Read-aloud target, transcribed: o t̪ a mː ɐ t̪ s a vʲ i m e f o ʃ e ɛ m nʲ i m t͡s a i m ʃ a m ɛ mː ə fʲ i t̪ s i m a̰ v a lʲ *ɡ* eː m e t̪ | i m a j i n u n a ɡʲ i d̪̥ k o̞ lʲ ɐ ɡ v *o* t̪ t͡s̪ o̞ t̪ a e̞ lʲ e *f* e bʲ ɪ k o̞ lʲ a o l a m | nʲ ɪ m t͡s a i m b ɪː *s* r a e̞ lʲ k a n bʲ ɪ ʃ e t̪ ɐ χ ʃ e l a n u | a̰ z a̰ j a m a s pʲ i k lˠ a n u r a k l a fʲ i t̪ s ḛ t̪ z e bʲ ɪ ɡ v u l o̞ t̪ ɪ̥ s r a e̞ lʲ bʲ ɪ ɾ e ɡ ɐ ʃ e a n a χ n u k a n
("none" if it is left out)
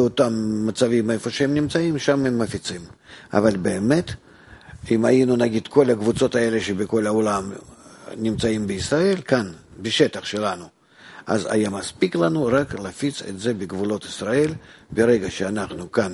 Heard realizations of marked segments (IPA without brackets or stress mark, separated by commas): b, u, ʃ, s